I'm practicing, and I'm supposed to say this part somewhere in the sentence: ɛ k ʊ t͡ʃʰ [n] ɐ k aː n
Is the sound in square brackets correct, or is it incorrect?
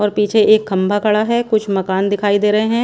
incorrect